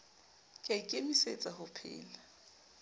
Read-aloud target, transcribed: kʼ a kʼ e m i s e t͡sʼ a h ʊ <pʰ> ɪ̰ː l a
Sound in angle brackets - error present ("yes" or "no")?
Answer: no